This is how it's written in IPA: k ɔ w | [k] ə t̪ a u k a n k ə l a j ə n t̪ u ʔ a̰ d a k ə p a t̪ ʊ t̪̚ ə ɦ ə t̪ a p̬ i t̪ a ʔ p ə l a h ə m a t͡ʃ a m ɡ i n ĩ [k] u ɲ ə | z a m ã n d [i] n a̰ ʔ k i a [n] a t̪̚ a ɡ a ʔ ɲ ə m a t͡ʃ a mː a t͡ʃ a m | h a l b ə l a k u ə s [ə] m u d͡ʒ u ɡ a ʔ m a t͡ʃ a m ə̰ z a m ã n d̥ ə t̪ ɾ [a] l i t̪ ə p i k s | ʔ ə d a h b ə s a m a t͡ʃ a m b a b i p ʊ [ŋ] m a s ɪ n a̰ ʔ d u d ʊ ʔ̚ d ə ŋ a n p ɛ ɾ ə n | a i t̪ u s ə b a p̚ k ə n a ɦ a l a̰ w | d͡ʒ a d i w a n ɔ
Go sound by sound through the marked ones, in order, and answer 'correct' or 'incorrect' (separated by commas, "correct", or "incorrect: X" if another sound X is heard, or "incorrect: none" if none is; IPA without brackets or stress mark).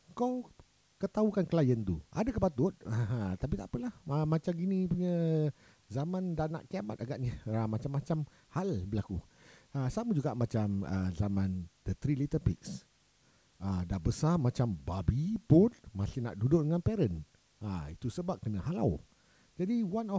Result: correct, incorrect: p, incorrect: a, incorrect: m, incorrect: a, incorrect: i, incorrect: n